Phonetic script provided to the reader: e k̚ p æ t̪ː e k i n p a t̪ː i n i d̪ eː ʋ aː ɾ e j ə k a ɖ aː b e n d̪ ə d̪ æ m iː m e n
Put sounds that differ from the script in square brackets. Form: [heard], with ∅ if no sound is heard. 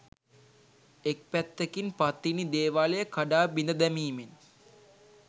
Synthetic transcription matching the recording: e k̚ p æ t̪ː e k i n p a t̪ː i n i d̪ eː ʋ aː [l] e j ə k a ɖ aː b [i] n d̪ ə d̪ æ m iː m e n